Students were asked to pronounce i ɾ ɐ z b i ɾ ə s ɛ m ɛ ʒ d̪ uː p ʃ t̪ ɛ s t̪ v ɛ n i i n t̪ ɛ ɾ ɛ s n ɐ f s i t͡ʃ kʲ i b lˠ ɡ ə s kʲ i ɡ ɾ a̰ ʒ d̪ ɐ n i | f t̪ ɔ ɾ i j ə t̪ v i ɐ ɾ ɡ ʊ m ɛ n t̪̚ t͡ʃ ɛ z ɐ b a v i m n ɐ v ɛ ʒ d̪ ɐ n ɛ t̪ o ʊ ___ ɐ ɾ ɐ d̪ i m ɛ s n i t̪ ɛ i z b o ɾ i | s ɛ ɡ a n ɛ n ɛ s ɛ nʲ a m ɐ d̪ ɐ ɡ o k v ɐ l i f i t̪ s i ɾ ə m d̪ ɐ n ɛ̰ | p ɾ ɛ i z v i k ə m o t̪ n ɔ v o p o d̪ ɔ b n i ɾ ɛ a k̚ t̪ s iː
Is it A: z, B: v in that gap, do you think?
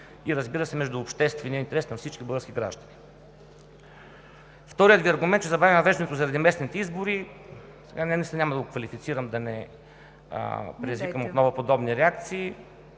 A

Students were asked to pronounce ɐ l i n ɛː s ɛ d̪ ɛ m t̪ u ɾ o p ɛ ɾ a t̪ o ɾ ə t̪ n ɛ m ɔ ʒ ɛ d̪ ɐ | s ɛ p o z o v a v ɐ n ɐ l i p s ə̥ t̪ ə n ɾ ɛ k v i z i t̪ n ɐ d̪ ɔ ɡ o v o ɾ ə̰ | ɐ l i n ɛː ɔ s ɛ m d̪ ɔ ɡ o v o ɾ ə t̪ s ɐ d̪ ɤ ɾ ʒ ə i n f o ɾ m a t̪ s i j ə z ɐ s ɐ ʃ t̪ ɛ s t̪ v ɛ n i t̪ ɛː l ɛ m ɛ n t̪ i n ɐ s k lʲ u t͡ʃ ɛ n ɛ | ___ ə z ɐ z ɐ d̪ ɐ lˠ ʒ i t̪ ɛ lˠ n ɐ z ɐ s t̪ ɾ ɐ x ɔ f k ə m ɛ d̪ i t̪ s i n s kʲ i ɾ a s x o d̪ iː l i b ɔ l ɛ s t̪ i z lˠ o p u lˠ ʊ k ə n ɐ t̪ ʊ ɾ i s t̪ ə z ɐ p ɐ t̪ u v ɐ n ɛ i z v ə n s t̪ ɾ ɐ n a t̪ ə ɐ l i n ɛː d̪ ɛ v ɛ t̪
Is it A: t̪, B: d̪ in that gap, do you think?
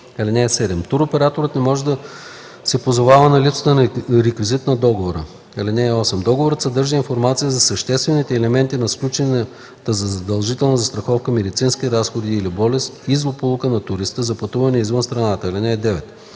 A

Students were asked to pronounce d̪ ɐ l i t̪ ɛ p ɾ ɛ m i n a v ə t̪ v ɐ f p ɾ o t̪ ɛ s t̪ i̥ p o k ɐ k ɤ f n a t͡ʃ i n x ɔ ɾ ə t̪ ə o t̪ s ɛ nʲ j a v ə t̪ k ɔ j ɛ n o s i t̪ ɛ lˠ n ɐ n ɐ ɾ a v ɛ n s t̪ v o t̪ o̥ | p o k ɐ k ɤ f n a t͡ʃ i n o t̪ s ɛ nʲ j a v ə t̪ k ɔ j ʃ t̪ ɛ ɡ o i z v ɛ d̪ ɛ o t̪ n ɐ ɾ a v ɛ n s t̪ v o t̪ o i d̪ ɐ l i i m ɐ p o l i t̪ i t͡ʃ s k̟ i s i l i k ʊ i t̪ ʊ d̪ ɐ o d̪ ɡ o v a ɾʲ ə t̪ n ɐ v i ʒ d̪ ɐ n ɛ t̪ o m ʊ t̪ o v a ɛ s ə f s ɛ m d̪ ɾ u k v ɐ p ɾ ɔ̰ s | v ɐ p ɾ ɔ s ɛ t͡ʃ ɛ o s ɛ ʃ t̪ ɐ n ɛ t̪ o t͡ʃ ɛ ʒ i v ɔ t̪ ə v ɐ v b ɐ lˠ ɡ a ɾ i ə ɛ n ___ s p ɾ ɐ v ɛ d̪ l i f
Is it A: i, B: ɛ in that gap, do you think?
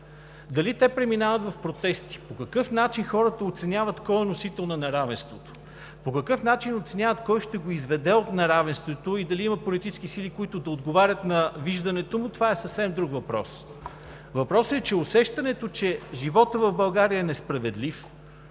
B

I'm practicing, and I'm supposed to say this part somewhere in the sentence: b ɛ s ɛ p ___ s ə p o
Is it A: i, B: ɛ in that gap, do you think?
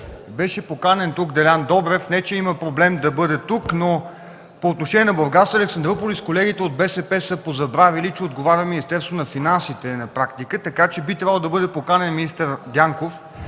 B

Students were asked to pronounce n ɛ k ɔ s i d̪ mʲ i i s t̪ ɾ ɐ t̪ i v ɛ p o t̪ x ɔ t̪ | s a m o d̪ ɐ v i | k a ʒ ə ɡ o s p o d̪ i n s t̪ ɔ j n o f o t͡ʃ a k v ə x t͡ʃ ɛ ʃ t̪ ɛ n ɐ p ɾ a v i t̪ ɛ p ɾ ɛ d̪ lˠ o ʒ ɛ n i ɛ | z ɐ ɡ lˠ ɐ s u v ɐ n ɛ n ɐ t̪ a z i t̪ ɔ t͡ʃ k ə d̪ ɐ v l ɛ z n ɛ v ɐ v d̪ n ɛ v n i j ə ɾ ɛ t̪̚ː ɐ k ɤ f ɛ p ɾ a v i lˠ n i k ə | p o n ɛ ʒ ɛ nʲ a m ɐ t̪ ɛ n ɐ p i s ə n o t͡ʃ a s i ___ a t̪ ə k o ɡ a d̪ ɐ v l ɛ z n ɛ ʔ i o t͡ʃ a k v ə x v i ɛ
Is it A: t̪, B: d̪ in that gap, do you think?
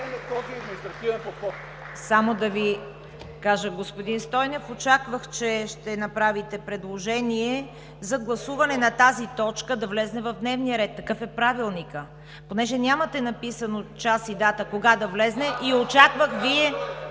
B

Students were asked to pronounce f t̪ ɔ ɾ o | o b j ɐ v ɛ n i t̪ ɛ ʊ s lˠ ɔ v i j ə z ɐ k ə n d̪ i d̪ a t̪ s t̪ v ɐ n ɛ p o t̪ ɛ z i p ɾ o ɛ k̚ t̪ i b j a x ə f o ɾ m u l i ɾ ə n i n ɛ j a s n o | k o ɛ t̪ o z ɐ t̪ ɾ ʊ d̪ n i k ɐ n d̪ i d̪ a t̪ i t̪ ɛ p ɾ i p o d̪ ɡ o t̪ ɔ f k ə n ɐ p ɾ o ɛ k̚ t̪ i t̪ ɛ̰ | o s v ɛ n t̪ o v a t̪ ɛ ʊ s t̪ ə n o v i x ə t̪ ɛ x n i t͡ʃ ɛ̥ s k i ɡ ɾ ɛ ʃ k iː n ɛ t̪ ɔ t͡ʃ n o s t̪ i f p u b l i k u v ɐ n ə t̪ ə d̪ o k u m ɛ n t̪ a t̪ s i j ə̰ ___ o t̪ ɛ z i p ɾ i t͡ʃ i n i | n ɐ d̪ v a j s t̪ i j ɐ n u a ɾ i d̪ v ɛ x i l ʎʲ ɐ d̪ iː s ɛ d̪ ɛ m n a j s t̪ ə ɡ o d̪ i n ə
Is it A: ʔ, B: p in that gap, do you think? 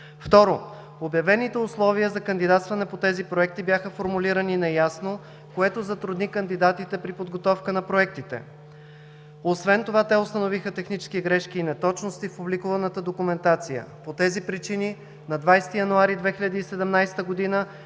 B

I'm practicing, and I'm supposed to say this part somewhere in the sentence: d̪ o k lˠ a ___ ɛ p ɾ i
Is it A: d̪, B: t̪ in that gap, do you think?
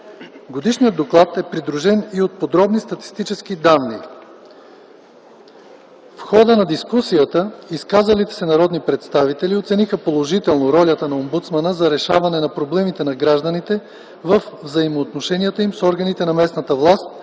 B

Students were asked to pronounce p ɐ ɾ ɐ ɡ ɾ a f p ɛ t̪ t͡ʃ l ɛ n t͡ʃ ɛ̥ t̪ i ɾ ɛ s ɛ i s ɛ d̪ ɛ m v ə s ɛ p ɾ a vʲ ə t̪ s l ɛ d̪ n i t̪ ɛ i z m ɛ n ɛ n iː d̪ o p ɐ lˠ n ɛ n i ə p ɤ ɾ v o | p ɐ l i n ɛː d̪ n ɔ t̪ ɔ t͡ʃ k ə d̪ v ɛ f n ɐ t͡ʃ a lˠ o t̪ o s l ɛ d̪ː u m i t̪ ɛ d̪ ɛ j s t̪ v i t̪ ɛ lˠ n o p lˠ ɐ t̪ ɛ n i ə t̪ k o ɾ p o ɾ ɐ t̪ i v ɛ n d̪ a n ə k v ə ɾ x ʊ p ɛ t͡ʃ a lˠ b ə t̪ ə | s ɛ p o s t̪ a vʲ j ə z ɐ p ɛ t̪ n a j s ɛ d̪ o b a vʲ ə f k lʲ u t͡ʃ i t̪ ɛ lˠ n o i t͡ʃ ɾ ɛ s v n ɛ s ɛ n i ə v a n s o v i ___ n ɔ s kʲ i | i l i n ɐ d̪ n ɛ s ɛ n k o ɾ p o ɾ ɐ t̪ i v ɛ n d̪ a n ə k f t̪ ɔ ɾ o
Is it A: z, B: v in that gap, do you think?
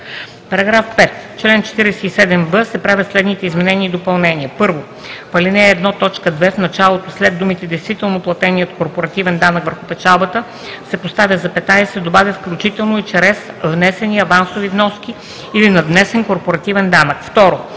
B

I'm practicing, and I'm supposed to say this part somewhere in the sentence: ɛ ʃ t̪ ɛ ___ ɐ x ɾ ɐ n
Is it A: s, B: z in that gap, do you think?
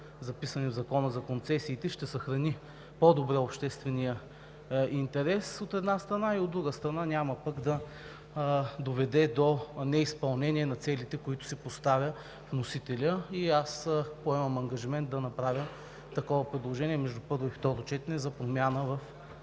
A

